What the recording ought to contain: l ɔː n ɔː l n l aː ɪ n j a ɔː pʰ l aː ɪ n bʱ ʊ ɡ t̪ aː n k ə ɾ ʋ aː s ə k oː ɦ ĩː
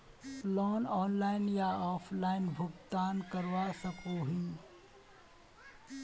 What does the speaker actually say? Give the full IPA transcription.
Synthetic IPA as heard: l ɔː n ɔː n l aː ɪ n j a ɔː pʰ l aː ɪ n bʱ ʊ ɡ t̪ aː n k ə ɾ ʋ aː s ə k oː ɦ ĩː